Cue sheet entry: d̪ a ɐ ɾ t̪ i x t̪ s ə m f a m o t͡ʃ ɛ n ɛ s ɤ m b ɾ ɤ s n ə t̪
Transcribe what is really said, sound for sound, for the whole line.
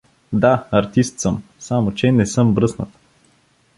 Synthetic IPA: d̪ a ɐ ɾ t̪ i s t̪ s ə m s a m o t͡ʃ ɛ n ɛ s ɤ m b ɾ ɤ s n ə t̪